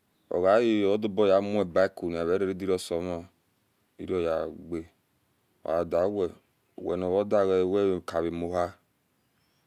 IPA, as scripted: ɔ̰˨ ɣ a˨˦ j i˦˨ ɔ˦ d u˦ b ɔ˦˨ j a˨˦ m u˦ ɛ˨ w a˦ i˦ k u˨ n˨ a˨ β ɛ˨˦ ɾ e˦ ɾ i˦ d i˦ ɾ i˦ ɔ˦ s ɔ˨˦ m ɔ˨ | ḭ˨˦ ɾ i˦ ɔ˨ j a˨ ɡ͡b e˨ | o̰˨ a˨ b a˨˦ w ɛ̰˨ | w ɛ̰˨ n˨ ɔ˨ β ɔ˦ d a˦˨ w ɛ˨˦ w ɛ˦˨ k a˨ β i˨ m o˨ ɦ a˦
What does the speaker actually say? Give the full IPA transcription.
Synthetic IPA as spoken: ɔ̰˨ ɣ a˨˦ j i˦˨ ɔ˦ d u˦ b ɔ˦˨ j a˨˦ m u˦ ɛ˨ b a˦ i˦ k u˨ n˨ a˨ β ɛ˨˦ ɾ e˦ ɾ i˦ d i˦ ɾ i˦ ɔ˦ s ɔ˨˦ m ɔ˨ | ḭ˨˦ ɾ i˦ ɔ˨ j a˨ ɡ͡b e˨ | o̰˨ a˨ d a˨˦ w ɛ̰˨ | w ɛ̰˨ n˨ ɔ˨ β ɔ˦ d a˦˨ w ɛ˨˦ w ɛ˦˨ k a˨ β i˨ m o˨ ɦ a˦